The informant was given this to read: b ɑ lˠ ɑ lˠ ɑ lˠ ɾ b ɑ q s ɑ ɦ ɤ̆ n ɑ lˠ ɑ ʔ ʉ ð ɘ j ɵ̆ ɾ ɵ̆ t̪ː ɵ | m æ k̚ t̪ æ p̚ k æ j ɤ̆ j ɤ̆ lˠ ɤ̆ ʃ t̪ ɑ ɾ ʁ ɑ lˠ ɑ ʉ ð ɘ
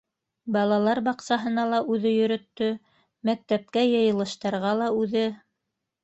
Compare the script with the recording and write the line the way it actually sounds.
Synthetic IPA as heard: b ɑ lˠ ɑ lˠ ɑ ɾ b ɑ q s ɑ ɦ ɤ̆ n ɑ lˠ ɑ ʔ ʉ ð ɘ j ɵ̆ ɾ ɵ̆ t̪ː ɵ | m æ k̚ t̪ æ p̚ k æ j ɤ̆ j ɤ̆ lˠ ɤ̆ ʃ t̪ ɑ ɾ ʁ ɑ lˠ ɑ ʉ ð ɘ